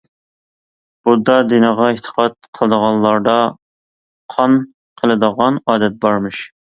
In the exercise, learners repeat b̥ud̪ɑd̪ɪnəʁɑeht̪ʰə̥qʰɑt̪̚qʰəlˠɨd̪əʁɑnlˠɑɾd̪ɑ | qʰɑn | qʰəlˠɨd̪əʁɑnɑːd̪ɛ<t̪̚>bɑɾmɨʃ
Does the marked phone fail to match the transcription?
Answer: no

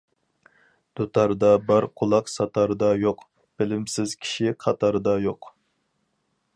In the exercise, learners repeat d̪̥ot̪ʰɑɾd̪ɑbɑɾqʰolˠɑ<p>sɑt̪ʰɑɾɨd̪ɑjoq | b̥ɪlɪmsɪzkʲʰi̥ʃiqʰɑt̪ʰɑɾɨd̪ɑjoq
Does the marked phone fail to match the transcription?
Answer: yes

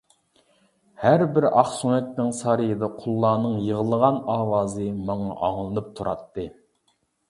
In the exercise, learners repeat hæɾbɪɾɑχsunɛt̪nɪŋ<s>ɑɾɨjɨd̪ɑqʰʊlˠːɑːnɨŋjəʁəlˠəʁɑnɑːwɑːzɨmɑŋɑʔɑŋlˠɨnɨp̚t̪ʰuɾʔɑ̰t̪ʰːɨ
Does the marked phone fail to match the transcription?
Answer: no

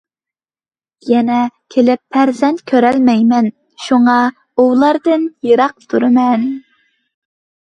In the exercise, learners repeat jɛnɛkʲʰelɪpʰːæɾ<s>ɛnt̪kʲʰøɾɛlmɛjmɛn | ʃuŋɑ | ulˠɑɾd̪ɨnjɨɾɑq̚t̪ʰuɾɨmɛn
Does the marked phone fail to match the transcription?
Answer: yes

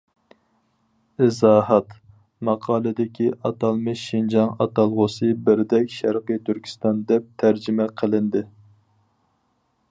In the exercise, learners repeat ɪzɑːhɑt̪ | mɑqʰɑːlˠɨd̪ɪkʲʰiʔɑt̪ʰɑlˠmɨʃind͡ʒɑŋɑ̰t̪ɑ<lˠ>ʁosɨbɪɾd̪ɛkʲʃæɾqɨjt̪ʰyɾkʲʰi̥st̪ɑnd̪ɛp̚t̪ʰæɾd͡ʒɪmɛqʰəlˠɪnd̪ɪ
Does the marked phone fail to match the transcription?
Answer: no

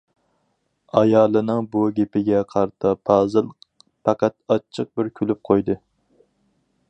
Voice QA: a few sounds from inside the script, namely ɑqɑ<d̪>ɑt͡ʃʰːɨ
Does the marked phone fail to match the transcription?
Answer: yes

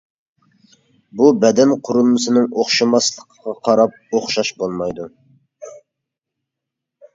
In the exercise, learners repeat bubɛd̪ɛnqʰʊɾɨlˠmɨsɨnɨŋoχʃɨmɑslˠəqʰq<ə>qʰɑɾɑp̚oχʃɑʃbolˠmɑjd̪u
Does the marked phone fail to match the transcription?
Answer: yes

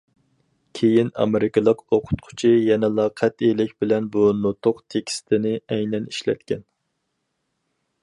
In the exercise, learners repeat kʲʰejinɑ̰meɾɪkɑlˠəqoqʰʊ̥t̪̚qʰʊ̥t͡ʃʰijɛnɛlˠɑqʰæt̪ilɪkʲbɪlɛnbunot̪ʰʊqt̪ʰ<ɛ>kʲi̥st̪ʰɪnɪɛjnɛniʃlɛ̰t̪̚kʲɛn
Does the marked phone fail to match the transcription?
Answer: yes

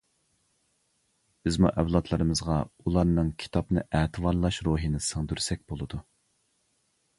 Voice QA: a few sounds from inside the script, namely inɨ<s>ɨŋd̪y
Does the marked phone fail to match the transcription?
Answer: no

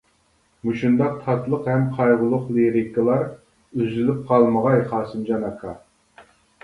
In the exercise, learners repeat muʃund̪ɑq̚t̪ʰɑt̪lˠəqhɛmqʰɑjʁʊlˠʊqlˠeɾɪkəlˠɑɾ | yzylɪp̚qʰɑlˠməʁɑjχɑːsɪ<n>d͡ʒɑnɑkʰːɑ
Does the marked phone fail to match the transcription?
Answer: yes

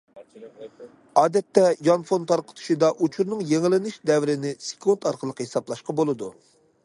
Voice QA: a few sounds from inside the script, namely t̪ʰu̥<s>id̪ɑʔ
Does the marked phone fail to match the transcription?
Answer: yes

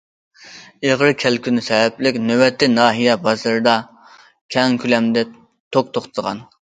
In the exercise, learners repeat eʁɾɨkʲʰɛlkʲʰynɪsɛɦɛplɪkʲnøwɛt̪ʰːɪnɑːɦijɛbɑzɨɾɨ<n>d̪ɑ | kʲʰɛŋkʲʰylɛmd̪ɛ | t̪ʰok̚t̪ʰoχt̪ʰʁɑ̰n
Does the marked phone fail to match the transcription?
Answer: yes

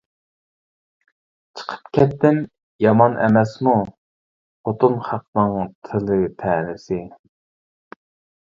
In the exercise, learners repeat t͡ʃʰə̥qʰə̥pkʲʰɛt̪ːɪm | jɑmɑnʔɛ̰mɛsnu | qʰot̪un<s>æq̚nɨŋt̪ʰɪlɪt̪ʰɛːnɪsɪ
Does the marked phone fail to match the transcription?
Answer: yes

